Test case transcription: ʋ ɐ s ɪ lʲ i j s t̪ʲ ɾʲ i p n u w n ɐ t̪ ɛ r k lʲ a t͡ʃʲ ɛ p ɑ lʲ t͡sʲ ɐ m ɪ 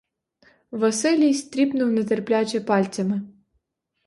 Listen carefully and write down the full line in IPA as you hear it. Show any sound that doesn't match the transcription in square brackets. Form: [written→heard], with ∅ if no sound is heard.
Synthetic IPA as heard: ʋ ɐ s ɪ lʲ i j s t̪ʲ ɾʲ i p n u w n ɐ t̪ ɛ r [k→p] lʲ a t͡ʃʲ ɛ p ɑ lʲ t͡sʲ ɐ m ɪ